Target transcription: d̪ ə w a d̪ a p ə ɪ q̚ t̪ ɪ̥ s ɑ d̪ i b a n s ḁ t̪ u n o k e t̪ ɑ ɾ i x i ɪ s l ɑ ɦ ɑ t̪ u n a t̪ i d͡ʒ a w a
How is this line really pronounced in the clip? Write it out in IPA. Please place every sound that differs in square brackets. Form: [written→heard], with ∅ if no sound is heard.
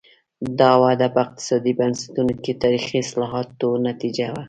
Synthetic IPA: d̪ [ə→ɑ] w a d̪ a p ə ɪ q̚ t̪ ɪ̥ s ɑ d̪ i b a n s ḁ t̪ u n o k e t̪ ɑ ɾ i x i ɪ s l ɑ ɦ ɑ t̪ [u→o] n a t̪ i d͡ʒ a w a